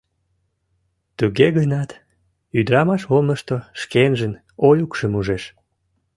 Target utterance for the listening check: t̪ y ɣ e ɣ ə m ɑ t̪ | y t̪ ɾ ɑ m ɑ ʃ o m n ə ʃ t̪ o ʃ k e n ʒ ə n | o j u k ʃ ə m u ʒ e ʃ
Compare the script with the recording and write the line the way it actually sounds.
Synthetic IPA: t̪ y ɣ e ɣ ə n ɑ t̪ | y d̪ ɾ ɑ m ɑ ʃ o m n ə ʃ t̪ o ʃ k e n ʒ ə n | o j u k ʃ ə m u ʒ e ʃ